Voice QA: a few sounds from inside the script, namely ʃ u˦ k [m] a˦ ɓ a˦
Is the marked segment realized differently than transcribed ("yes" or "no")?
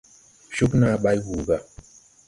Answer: yes